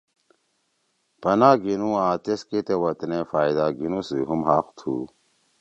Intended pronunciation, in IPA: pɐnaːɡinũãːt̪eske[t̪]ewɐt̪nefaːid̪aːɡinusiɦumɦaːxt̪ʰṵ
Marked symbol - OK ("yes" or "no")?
yes